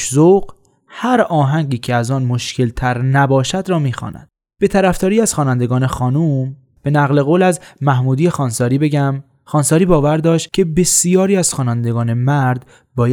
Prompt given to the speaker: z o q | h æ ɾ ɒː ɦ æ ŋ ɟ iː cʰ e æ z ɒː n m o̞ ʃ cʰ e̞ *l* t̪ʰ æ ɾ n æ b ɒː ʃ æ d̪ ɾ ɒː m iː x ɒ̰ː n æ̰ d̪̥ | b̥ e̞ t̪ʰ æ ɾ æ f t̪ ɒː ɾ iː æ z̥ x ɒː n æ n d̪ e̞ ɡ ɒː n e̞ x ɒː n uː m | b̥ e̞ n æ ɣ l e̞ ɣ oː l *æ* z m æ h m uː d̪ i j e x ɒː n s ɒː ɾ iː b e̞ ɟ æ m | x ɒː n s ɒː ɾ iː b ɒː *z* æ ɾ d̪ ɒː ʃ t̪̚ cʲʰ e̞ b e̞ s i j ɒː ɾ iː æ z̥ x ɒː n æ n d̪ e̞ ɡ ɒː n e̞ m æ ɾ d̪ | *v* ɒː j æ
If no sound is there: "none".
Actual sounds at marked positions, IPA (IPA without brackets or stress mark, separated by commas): l, æ, v, b